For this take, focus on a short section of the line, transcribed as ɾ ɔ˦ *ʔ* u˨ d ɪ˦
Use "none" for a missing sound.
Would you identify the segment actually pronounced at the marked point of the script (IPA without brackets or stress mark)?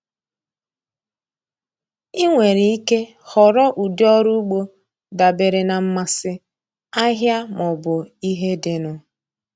ʔ